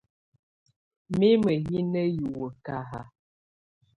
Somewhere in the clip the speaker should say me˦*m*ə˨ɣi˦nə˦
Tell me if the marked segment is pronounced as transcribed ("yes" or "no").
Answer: yes